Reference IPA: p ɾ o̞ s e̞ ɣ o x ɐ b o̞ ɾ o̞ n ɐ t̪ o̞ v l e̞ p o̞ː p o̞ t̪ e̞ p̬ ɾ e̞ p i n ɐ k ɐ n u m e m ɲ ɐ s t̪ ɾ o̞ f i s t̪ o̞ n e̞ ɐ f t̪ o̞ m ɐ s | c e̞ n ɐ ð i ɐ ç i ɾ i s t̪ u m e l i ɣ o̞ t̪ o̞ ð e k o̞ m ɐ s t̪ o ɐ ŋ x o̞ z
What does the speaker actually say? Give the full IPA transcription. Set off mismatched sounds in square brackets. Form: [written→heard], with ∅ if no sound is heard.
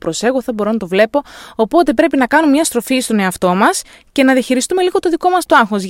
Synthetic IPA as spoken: p ɾ o̞ s e̞ ɣ o [x→θ] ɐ b o̞ ɾ o̞ n ɐ t̪ o̞ v l e̞ p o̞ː p o̞ t̪ e̞ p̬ ɾ e̞ p i n ɐ k ɐ n u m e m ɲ ɐ s t̪ ɾ o̞ f i s t̪ o̞ n e̞ ɐ f t̪ o̞ m ɐ s | c e̞ n ɐ ð i ɐ ç i ɾ i s t̪ u m e l i ɣ o̞ t̪ o̞ ð [e→i] k o̞ m ɐ s t̪ o ɐ ŋ x o̞ z